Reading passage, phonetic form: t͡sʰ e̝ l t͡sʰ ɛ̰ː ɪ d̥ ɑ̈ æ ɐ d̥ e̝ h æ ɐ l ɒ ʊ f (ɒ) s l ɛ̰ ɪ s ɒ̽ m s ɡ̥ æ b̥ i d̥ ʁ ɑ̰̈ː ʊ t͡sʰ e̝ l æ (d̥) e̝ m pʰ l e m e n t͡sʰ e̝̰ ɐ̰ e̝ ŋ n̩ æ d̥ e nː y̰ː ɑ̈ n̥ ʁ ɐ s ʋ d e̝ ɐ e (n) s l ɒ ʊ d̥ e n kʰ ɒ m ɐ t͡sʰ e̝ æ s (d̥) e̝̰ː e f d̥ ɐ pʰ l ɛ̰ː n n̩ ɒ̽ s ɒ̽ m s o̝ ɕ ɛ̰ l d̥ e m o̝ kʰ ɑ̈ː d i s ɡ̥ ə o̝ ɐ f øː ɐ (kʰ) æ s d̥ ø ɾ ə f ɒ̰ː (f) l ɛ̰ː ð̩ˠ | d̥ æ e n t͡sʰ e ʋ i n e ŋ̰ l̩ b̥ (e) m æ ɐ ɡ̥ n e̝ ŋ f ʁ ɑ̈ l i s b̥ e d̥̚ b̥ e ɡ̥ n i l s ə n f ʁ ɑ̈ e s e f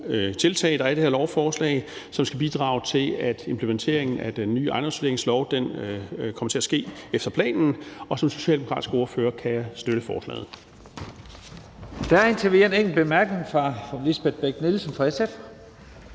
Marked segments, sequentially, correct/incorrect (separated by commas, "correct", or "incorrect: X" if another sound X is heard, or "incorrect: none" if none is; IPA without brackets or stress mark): incorrect: ɒː, correct, incorrect: ŋ, incorrect: ɡ̥, correct, incorrect: s, correct